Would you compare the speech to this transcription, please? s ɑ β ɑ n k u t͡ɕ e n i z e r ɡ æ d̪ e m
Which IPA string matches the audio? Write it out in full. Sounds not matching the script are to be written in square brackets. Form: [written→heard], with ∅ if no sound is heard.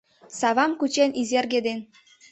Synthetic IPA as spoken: s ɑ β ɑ [n→m] k u t͡ɕ e n i z e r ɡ [æ→e] d̪ e [m→n]